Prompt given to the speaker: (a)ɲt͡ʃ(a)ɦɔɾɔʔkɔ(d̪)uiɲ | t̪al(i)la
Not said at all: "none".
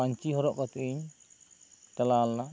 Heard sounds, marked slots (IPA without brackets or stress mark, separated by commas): a, i, t̪, a